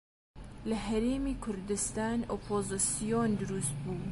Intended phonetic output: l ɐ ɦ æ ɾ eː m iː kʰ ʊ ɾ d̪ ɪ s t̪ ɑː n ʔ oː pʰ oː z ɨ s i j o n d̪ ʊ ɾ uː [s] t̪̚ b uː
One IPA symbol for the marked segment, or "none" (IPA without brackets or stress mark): s